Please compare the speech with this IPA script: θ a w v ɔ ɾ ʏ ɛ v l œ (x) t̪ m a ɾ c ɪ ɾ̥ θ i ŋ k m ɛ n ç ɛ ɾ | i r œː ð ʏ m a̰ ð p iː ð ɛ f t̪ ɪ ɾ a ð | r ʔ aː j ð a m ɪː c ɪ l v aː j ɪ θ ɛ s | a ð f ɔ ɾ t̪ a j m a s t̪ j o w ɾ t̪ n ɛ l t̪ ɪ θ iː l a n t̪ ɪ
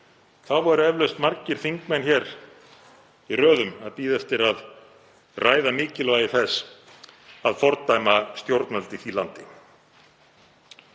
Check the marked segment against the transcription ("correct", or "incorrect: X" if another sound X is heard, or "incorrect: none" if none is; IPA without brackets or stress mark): incorrect: s